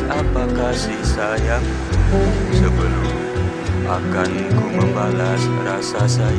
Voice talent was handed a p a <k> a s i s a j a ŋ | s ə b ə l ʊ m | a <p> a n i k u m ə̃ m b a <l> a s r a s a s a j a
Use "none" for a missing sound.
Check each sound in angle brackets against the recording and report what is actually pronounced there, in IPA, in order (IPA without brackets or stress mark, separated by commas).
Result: k, k, l